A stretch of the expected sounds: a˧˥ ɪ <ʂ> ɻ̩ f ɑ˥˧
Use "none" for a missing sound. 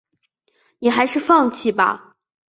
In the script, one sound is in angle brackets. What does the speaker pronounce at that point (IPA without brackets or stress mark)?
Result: ʂ